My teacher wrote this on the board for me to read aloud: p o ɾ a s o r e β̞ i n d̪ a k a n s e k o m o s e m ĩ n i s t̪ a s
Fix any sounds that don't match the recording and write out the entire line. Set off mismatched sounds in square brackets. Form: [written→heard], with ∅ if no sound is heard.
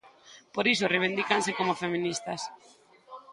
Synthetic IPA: p o ɾ [a→i] s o r e β̞ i n d̪ [a→i] k a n s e k o m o [s→f] e m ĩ n i s t̪ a s

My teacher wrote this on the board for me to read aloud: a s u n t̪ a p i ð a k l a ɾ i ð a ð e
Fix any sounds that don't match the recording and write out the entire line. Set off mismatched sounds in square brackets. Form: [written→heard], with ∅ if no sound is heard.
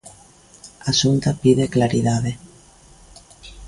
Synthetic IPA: a s u n t̪ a p i ð [a→e] k l a ɾ i ð a ð e

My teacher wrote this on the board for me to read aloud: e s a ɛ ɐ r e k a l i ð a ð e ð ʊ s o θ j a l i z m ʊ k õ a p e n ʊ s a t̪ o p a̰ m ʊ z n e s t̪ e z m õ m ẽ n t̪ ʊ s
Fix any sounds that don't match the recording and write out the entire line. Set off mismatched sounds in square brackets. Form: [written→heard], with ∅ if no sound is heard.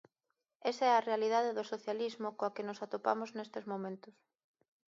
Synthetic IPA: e s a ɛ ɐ r e [k→∅] a l i ð a ð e ð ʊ s o θ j a l i z m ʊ k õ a [p→k] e n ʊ s a t̪ o p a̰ m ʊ z n e s t̪ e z m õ m ẽ n t̪ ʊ s

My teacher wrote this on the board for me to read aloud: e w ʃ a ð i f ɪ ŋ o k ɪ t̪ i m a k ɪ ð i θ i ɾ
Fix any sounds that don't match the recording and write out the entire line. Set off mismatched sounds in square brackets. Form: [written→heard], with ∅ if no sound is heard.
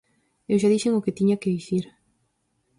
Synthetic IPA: e w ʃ a ð i [f→ʃ] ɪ ŋ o k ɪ t̪ i [m→ɲ] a k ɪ ð i θ i ɾ

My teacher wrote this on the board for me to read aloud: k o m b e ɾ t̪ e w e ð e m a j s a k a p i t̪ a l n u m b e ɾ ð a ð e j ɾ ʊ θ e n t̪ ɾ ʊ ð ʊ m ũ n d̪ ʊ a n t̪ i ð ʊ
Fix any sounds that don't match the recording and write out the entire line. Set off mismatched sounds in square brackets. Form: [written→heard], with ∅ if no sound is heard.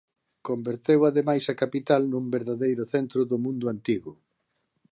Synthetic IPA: k o m b e ɾ t̪ e w [e→a] ð e m a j s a k a p i t̪ a l n u m b e ɾ ð a ð e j ɾ ʊ θ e n t̪ ɾ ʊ ð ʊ m ũ n d̪ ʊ a n t̪ i [ð→ɣ] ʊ

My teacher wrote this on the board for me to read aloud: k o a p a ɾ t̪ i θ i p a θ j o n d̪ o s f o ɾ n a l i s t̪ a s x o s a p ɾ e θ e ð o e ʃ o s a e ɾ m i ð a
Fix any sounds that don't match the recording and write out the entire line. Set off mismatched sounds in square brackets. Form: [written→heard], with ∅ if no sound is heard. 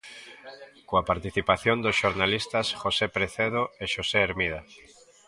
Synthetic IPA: k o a p a ɾ t̪ i θ i p a θ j o n d̪ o s [f→ʃ] o ɾ n a l i s t̪ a s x o s [a→e] p ɾ e θ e ð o e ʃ o s [a→e] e ɾ m i ð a

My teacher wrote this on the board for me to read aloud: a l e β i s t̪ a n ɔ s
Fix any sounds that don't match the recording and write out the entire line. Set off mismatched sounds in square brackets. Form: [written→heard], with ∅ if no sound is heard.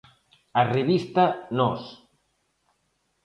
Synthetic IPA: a [l→r] e β i s t̪ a n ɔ s

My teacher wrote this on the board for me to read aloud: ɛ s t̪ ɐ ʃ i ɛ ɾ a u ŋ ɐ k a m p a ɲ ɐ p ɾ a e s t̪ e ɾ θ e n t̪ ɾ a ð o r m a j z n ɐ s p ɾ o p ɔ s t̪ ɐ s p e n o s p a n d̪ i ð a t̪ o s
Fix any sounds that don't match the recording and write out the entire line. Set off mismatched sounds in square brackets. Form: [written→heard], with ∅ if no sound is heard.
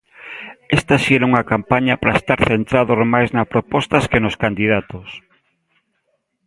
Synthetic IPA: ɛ s t̪ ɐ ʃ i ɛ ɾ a u ŋ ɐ k a m p a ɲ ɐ p ɾ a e s t̪ [e→a] ɾ θ e n t̪ ɾ a ð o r m a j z n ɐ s p ɾ o p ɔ s t̪ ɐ s [p→k] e n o s [p→k] a n d̪ i ð a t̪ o s

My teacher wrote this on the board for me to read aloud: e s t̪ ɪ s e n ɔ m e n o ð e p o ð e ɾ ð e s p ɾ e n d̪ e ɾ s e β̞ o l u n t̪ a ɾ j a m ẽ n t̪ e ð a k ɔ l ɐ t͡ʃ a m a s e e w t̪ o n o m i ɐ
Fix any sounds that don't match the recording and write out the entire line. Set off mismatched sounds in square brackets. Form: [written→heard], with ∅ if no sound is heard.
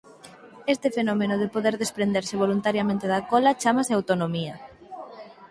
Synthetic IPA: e s t̪ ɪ [s→f] e n ɔ m e n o ð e p o ð e ɾ ð e s p ɾ e n d̪ e ɾ s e β̞ o l u n t̪ a ɾ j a m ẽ n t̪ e ð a k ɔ l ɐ t͡ʃ a m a s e [e→a] w t̪ o n o m i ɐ

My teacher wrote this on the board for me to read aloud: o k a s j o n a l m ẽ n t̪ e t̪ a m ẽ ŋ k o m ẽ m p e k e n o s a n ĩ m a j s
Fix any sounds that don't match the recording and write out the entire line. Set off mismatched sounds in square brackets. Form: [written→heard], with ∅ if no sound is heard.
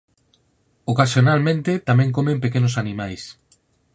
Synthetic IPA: o k a s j o n a l m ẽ n t̪ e t̪ a m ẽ ŋ k o m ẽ m p e k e n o s a n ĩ m a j s

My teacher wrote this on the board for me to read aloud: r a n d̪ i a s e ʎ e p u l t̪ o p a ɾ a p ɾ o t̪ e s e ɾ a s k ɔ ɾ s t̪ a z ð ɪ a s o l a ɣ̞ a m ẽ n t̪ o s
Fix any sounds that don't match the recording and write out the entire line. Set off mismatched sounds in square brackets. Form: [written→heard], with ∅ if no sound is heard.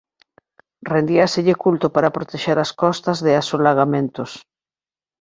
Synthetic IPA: r [a→e] n d̪ i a s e ʎ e [p→k] u l t̪ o p a ɾ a p ɾ o t̪ e [s→ʃ] e ɾ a s k ɔ [ɾ→∅] s t̪ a z ð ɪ a s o l a ɣ̞ a m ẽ n t̪ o s

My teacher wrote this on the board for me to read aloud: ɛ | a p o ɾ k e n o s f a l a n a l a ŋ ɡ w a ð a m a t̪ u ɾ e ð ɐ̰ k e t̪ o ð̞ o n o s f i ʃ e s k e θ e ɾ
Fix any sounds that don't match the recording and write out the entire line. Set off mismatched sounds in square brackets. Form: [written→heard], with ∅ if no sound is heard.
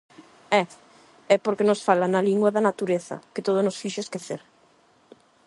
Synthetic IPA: ɛ | [a→ɛ] p o ɾ k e n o s f a l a n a l [a→i] ŋ ɡ w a ð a [m→n] a t̪ u ɾ e [ð→θ] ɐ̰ k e t̪ o ð̞ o n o s f i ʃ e s k e θ e ɾ

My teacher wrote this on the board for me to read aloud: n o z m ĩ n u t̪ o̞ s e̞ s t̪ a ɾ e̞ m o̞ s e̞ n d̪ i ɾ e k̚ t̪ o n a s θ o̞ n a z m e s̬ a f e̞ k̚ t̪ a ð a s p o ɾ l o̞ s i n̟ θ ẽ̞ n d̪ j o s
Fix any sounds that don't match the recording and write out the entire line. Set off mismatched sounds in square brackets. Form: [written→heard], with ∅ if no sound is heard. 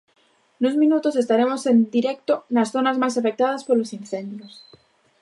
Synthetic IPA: n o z m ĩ n u t̪ o̞ s e̞ s t̪ a ɾ e̞ m o̞ s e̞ n d̪ i ɾ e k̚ t̪ o n a s θ o̞ n a z m [e→a] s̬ a f e̞ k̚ t̪ a ð a s p o ɾ l o̞ s i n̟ θ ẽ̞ n d̪ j o s

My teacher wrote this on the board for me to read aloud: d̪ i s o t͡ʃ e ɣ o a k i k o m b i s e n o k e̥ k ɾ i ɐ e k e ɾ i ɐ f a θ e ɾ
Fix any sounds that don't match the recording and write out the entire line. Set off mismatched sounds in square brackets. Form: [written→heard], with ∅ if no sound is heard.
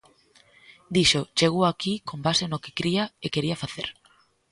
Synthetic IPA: d̪ i [s→ʃ] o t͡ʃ e ɣ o a k i k o m b [i→a] s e n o k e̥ k ɾ i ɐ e k e ɾ i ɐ f a θ e ɾ

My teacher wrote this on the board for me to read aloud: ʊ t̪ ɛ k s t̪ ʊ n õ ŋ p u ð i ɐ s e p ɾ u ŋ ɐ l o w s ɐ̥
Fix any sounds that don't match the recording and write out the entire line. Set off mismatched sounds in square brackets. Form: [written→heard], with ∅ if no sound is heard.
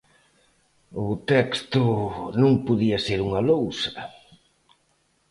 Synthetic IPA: ʊ t̪ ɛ k s t̪ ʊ n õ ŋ p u ð i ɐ s e [p→∅] ɾ u ŋ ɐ l o w s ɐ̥

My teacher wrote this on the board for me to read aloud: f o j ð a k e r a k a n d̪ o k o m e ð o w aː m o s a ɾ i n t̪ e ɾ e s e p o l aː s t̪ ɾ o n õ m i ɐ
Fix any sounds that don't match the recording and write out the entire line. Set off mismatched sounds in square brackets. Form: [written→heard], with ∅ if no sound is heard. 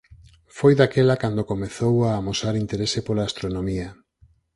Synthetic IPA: f o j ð a k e [r→l] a k a n d̪ o k o m e [ð→θ] o w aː m o s a ɾ i n t̪ e ɾ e s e p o l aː s t̪ ɾ o n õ m i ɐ

